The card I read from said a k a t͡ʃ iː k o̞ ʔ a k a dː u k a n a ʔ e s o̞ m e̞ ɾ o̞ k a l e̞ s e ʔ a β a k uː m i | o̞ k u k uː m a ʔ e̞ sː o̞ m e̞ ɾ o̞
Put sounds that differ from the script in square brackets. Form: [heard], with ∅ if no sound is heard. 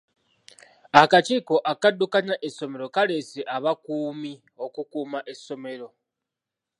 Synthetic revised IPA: a k a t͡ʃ iː k o̞ ʔ a k a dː u k a n a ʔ e s o̞ m e̞ ɾ o̞ k a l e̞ s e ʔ a β a k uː m i | o̞ k u k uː m a ʔ e̞ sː o̞ m e̞ ɾ o̞